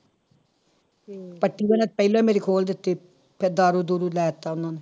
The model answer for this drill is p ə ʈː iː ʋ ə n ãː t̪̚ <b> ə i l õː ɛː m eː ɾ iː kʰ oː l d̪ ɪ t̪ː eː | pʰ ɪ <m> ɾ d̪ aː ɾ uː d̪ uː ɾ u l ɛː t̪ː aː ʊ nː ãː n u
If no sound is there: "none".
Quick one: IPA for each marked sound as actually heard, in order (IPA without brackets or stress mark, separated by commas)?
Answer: p, none